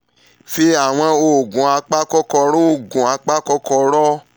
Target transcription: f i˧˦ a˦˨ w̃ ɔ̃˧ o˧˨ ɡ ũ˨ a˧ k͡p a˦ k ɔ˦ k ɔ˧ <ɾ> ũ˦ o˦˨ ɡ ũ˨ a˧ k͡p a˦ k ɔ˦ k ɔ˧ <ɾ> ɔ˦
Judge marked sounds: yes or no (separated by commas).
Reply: yes, yes